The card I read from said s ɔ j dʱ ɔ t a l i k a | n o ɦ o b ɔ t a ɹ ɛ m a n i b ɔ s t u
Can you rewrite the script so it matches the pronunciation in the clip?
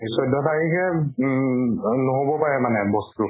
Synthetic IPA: s ɔ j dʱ ɔ t a ɹ i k ɛ | n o ɦ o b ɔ p a ɹ ɛ m a n ɛ b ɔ s t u